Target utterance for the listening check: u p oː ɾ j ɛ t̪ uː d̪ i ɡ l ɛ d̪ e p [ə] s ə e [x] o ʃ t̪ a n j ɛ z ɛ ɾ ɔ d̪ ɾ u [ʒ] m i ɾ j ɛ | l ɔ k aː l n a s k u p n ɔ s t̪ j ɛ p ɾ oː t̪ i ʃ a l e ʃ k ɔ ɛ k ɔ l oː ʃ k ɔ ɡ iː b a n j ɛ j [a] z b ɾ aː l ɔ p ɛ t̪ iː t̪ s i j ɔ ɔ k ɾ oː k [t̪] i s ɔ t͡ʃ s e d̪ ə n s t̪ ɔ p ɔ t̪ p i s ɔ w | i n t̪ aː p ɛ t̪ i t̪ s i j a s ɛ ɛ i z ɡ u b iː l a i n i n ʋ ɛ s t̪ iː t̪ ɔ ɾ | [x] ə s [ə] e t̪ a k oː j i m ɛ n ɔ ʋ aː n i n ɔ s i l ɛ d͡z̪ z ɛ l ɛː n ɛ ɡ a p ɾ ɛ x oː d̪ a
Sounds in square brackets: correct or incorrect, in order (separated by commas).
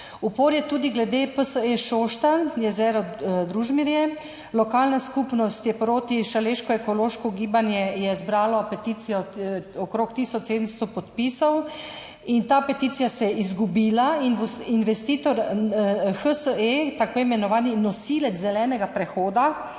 correct, incorrect, correct, incorrect, correct, correct, correct